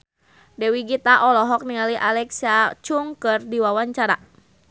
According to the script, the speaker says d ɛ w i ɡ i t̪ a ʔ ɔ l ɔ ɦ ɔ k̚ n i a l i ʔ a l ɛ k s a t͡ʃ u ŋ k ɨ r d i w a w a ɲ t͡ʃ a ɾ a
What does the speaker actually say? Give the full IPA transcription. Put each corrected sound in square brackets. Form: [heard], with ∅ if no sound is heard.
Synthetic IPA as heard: d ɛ w i ɡ i t̪ a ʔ ɔ l ɔ ɦ ɔ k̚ n i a l i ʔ a l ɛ k s a t͡ʃ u ŋ k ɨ r d i w a w a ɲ t͡ʃ a ɾ a